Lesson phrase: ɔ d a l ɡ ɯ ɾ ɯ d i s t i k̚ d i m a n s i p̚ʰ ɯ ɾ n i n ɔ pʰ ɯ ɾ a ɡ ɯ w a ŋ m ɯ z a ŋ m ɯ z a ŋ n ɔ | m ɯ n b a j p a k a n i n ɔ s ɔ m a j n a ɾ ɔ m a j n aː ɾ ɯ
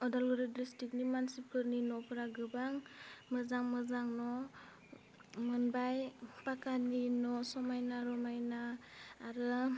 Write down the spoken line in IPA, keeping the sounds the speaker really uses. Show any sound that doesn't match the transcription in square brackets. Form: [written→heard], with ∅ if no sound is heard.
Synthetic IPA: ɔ d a l ɡ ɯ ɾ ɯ d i s t i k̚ [d→n] i m a n s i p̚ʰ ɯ ɾ n i n ɔ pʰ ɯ ɾ a ɡ ɯ [w→b] a ŋ m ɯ z a ŋ m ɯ z a ŋ n ɔ | m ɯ n b a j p a k a n i n ɔ s ɔ m a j n a ɾ ɔ m a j n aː ɾ ɯ